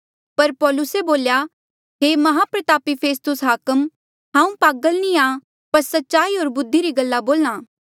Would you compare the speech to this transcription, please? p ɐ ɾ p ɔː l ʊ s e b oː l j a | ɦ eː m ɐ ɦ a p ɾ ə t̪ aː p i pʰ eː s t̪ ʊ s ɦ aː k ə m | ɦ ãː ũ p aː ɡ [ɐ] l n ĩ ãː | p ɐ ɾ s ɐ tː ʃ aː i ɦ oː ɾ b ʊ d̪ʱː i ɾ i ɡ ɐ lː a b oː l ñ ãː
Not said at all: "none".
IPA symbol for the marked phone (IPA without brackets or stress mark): ə